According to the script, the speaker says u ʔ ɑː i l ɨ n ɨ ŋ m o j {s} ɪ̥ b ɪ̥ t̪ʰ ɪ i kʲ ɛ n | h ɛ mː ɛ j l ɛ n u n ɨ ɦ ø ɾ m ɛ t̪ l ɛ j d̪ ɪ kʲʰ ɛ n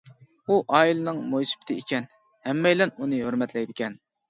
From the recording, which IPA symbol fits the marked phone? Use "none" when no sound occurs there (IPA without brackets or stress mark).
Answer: s